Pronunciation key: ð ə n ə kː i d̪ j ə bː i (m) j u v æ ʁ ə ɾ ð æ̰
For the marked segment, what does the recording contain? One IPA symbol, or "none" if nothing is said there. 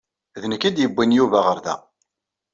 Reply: n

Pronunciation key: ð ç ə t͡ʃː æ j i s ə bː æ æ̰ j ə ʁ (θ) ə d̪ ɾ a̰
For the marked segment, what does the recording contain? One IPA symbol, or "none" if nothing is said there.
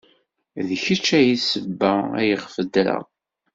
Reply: f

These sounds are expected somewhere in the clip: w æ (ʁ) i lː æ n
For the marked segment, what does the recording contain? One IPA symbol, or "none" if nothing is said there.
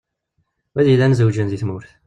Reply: ð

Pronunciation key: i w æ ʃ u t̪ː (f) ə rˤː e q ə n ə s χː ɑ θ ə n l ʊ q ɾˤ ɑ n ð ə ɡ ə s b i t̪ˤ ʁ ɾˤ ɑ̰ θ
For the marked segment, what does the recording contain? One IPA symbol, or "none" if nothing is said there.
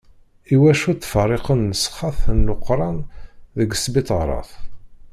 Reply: f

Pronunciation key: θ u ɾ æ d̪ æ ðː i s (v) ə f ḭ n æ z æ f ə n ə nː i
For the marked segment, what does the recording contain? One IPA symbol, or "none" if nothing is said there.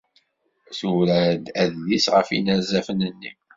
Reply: ʁ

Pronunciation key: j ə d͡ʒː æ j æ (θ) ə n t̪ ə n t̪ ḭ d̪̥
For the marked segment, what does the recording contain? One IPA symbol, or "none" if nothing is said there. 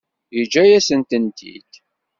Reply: s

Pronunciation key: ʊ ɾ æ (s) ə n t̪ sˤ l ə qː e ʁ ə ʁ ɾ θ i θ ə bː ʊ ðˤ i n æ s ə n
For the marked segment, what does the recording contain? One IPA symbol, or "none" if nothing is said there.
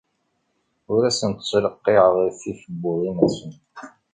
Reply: s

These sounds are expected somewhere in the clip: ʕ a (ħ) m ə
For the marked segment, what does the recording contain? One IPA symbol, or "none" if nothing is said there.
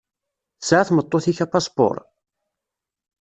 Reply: θ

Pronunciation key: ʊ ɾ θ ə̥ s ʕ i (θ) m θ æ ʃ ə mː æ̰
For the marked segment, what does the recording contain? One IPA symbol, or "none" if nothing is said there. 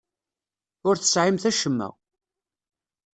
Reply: none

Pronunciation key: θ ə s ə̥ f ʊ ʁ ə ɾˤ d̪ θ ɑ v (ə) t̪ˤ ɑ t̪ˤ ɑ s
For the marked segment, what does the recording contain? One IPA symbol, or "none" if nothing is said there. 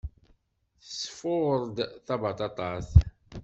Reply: ɑ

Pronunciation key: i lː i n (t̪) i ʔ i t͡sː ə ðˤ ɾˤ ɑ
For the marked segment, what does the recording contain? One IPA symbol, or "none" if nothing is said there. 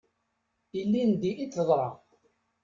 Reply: d̪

